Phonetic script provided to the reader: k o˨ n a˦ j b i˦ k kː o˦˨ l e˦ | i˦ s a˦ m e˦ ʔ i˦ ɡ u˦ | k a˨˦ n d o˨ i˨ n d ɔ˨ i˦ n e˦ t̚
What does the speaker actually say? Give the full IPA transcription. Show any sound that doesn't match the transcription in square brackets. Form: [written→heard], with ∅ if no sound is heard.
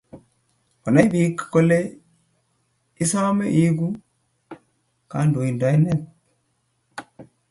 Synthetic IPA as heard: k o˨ n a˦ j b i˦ k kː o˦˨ l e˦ | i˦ s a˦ m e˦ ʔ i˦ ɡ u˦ | k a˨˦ n d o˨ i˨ n d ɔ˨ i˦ n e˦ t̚